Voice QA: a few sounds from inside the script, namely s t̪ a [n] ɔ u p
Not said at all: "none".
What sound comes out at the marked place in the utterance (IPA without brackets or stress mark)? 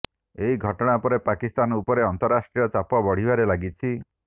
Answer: n